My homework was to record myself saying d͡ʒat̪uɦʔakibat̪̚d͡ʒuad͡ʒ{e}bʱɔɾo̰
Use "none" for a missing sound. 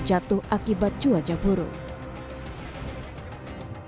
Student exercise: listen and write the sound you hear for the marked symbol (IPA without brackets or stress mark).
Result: a